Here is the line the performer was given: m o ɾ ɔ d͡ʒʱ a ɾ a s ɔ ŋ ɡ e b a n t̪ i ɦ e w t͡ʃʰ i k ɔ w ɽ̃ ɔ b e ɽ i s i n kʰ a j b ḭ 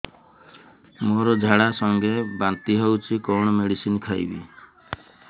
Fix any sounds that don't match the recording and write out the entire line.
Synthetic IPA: m o ɾ ɔ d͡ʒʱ a ɽ a s ɔ ŋ ɡ e b a n t̪ i ɦ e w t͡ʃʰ i k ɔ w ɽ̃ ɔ m e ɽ i s i n kʰ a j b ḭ